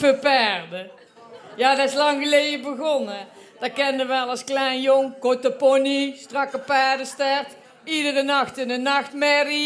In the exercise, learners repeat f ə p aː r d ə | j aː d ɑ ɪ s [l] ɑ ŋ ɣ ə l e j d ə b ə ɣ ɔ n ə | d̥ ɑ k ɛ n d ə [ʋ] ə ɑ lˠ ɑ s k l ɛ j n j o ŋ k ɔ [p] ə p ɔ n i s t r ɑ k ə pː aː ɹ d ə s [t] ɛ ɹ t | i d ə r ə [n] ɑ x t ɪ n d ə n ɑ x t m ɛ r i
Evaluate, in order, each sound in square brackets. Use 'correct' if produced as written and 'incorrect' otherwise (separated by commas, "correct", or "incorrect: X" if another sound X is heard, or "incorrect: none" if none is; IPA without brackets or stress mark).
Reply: correct, correct, incorrect: t, correct, correct